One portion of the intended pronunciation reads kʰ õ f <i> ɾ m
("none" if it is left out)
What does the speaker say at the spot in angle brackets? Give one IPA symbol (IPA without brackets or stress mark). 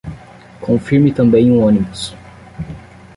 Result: i